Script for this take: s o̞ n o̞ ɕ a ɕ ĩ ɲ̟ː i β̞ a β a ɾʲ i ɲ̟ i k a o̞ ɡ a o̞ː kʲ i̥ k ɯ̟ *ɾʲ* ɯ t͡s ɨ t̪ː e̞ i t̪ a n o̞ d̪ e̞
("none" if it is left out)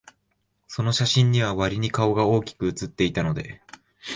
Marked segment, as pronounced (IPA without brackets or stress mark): none